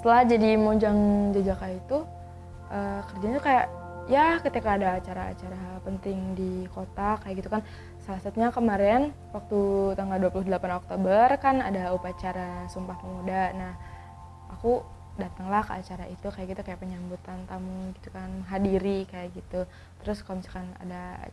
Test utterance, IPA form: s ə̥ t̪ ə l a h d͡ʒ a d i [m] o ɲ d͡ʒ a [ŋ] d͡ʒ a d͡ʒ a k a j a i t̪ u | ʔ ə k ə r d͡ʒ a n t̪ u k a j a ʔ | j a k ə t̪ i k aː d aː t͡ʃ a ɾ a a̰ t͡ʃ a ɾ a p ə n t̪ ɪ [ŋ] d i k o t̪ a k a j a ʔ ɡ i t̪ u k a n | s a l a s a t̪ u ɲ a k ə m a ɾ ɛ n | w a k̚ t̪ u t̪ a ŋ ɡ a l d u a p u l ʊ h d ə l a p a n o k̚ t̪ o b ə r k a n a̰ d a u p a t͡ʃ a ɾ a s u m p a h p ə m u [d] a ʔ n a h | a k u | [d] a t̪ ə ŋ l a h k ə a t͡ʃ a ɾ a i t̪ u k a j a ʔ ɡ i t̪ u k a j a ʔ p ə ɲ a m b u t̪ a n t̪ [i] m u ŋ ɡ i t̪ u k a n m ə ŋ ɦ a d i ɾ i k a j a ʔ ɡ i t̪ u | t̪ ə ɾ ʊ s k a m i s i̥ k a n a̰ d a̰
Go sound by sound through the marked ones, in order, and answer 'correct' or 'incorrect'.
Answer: correct, correct, correct, correct, correct, incorrect: a

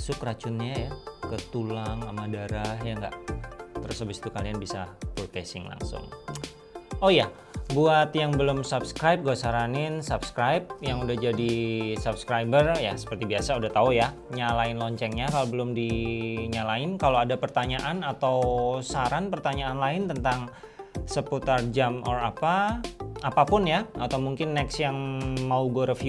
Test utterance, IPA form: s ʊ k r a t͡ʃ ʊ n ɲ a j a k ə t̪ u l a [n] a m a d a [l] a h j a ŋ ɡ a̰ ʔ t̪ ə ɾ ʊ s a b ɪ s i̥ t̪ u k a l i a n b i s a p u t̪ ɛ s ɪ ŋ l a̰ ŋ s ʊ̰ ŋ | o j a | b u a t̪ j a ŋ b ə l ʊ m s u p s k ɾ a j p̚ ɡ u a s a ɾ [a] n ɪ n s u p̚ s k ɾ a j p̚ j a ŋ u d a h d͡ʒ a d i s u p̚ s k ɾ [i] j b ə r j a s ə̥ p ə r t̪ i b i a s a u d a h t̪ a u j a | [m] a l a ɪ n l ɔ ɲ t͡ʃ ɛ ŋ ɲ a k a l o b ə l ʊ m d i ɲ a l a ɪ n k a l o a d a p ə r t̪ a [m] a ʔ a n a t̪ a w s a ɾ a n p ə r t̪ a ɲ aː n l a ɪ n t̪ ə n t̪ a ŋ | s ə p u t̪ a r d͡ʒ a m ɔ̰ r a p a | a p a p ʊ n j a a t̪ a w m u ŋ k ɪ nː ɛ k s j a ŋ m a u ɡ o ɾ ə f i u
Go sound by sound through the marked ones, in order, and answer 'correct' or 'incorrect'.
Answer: incorrect: ŋ, incorrect: ɾ, correct, incorrect: a, incorrect: ɲ, incorrect: ɲ

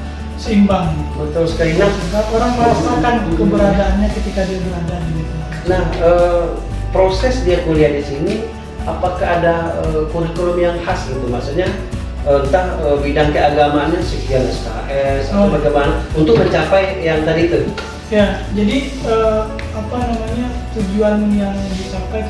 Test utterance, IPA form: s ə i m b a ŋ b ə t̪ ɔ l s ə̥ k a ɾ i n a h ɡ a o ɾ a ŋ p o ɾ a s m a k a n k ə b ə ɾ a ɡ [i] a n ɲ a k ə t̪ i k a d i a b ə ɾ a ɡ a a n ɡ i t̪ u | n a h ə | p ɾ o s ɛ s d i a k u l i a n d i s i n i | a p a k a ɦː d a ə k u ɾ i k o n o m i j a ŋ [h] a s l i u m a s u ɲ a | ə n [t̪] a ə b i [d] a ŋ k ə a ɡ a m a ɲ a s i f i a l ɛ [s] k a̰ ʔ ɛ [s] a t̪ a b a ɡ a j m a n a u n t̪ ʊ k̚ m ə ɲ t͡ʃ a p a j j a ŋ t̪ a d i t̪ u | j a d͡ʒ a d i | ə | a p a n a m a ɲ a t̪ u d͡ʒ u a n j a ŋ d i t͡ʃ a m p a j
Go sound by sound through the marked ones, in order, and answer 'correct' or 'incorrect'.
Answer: incorrect: a, correct, correct, correct, correct, correct

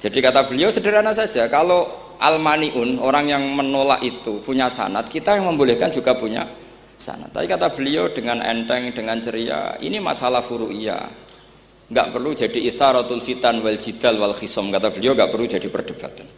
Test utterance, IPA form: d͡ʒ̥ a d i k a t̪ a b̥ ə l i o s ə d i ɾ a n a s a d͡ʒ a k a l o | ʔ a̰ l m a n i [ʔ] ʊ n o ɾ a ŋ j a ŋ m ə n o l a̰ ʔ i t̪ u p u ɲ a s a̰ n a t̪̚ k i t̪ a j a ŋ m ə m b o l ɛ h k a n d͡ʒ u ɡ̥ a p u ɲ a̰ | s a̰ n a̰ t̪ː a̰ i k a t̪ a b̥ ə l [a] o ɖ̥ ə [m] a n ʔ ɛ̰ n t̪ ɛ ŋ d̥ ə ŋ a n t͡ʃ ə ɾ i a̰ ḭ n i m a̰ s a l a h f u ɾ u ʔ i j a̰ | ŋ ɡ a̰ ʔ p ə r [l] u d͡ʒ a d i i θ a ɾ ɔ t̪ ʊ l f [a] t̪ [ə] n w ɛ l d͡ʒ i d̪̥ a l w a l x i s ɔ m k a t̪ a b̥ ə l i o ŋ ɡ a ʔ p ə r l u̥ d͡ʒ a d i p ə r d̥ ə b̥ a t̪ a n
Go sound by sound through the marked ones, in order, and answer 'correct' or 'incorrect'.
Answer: correct, incorrect: i, incorrect: ŋ, correct, incorrect: i, incorrect: a

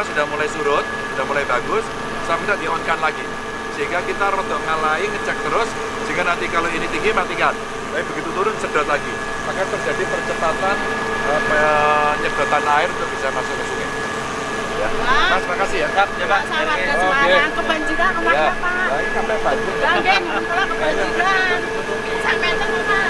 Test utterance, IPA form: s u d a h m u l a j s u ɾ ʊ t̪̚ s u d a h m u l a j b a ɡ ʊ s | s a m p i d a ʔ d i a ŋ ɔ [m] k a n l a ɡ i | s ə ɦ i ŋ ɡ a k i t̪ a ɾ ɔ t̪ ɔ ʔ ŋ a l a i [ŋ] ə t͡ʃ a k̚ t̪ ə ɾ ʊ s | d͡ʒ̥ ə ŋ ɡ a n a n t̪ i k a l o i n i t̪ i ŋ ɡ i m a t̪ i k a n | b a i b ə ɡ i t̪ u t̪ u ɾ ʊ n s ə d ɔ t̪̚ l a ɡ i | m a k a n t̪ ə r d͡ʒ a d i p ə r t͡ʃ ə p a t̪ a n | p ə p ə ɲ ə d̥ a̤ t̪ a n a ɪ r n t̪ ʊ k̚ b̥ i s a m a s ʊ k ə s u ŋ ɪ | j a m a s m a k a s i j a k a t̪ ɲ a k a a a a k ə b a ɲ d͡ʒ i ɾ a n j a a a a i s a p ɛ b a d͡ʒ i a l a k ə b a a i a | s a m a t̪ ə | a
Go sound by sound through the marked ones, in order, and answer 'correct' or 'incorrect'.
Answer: incorrect: n, correct

